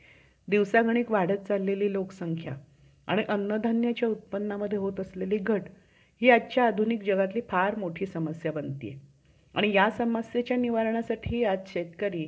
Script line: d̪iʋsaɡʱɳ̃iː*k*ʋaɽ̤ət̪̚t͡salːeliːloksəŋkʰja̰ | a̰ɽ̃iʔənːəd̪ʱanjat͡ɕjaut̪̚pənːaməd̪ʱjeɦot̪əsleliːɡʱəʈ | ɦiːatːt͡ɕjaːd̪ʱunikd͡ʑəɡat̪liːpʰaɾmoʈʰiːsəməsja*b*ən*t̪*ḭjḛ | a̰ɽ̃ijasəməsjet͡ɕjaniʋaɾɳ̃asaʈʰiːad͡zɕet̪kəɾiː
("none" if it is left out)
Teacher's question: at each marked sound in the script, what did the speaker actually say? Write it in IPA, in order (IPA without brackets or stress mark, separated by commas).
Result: k, b, t̪